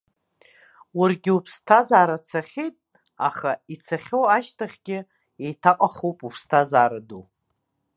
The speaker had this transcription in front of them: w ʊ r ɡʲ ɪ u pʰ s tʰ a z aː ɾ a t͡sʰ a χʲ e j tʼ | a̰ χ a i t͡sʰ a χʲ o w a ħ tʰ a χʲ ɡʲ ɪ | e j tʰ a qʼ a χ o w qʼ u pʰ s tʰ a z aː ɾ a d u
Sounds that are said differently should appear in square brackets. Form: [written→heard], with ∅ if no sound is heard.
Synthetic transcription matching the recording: w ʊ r ɡʲ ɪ u pʰ s tʰ a z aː ɾ a t͡sʰ a χʲ e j tʼ | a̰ χ a i t͡sʰ a χʲ o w a [ħ→ʃ] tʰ a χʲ ɡʲ ɪ | e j tʰ a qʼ a χ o w [qʼ→pʼ] u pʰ s tʰ a z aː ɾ a d u